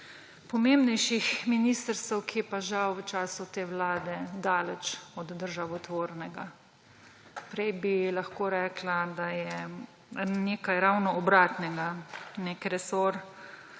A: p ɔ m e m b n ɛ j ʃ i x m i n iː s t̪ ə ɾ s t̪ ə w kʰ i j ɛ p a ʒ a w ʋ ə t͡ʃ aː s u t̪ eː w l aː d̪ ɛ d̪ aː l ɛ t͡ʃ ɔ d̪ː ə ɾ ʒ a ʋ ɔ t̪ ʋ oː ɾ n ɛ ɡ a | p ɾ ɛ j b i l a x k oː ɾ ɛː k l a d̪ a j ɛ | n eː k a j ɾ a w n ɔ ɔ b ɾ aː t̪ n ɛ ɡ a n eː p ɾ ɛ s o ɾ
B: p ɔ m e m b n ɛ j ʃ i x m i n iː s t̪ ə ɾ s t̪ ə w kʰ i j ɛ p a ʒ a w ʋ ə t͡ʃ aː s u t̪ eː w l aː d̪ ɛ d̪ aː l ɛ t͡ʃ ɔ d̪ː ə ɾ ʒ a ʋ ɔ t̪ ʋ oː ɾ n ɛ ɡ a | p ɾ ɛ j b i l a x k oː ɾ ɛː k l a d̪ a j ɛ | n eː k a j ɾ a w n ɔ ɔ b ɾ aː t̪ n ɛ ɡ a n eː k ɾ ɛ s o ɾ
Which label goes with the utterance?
B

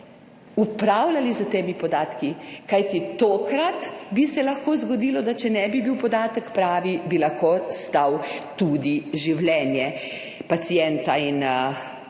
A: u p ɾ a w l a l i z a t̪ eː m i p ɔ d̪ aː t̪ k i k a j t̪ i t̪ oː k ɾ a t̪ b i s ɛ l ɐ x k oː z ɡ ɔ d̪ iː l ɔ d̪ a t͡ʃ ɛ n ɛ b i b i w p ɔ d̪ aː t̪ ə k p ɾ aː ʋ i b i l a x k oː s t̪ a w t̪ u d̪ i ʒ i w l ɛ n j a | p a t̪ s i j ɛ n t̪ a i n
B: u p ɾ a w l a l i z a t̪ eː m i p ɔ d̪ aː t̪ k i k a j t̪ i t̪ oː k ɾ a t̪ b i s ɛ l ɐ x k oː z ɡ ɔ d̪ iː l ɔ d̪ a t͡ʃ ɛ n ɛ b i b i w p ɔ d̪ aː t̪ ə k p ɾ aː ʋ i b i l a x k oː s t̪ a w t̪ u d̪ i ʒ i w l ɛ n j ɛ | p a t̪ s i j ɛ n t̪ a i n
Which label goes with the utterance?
B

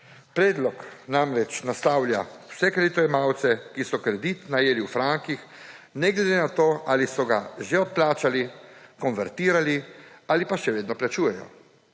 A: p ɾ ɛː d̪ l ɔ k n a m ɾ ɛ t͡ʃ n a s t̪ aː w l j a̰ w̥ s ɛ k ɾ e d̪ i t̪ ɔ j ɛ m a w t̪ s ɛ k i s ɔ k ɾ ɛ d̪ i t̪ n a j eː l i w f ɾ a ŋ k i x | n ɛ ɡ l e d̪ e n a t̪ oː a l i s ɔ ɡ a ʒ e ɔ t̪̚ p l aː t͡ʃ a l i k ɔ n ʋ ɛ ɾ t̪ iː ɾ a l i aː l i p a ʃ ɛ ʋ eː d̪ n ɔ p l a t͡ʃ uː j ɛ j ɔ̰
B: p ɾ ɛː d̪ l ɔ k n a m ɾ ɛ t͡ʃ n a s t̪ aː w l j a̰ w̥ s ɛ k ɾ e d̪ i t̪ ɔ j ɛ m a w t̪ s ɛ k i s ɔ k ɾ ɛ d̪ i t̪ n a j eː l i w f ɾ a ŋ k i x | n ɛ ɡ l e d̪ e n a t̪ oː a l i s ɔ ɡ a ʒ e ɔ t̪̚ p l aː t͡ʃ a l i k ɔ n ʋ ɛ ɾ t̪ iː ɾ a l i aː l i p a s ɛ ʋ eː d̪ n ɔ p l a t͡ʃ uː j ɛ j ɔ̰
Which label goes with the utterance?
A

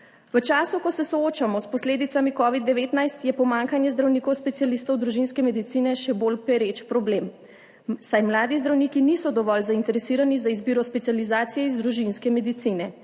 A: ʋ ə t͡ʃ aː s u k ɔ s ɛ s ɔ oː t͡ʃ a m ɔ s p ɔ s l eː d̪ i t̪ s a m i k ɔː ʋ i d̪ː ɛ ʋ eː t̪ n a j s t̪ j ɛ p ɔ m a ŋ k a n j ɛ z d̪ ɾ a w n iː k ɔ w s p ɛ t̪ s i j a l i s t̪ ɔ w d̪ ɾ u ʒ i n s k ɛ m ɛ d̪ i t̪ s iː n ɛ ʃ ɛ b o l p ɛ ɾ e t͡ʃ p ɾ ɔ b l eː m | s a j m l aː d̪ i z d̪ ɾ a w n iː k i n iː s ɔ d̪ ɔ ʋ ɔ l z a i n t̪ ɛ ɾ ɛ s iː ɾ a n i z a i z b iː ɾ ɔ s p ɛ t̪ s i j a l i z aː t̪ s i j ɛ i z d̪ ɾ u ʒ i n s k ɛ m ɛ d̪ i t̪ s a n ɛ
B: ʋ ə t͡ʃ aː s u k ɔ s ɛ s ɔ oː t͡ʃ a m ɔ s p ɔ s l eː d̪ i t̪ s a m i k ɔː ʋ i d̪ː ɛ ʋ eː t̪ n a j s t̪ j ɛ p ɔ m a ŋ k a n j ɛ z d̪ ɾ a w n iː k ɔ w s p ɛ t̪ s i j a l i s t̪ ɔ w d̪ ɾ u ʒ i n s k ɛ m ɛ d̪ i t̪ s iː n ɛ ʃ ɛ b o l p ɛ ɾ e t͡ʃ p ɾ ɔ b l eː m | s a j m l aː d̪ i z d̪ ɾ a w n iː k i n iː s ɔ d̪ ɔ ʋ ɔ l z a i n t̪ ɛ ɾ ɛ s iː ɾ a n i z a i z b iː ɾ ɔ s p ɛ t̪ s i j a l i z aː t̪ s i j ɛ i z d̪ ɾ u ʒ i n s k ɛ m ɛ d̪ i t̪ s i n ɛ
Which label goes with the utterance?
B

